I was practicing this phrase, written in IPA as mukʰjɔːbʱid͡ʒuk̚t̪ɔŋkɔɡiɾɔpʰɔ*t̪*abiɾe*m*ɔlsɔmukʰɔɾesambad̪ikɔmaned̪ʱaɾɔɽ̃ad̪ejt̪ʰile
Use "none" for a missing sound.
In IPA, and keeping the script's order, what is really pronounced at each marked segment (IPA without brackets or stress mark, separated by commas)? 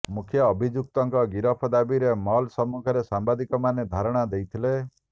d̪, m